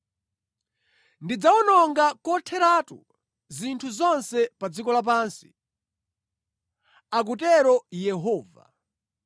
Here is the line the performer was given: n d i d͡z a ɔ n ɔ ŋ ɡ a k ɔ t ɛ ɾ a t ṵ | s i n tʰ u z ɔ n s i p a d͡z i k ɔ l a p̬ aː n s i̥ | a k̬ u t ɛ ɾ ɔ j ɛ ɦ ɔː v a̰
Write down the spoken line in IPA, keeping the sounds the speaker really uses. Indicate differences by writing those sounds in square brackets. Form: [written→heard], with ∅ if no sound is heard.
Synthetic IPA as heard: n d i d͡z a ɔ n ɔ ŋ ɡ a k ɔ [t→tʰ] ɛ ɾ a t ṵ | [s→z] i n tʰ u z ɔ n s [i→ɛ] p a d͡z i k ɔ l a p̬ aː n s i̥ | a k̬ u t ɛ ɾ ɔ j ɛ ɦ ɔː v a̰